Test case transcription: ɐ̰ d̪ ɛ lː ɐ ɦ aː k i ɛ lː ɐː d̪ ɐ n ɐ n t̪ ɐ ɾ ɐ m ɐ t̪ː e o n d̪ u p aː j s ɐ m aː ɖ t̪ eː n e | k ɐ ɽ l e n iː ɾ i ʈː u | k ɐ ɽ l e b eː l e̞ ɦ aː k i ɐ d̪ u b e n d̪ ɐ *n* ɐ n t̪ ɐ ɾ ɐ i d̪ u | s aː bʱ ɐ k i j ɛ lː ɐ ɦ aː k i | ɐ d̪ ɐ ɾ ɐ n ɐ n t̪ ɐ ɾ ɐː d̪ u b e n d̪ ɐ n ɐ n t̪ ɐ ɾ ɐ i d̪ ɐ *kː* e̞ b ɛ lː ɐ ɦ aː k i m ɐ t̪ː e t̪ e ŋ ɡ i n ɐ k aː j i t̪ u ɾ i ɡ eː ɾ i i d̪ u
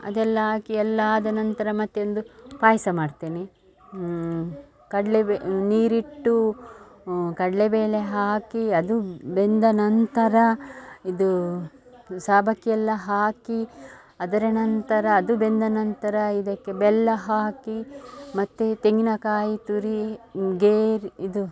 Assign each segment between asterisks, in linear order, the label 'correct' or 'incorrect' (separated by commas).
correct, correct